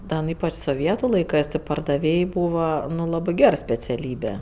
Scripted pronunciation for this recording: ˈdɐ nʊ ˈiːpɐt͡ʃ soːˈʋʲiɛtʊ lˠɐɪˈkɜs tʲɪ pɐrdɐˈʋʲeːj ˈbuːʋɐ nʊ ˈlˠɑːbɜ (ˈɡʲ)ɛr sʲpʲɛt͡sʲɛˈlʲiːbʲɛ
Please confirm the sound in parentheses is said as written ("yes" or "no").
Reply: yes